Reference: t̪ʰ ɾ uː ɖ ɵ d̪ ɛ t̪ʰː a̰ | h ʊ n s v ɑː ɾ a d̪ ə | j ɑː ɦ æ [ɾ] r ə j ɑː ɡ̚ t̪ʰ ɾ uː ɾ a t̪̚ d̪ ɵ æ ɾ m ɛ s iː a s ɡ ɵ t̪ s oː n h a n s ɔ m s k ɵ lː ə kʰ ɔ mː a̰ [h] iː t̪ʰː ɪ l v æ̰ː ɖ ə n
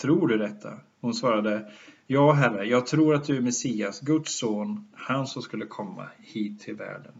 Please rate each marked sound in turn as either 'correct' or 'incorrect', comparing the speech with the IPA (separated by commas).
incorrect, correct